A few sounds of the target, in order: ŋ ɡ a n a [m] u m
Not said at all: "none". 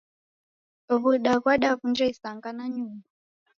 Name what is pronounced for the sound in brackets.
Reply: ɲ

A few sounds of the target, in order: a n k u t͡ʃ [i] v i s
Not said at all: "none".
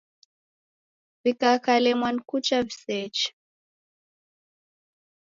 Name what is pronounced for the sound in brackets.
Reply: a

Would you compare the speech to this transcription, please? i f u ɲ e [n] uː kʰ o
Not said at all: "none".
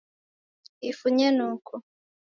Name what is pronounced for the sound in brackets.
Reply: n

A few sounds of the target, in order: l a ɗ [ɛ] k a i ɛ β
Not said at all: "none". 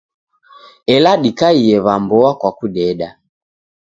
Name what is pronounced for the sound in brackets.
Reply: i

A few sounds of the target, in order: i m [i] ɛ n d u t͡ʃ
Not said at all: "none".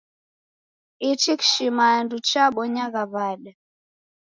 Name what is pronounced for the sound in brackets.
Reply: a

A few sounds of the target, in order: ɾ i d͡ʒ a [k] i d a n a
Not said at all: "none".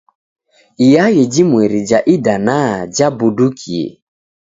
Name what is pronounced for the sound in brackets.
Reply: ʔ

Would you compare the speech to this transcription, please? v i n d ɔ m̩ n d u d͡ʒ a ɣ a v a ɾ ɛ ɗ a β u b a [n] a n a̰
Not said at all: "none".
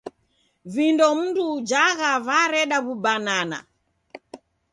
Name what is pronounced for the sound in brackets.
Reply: n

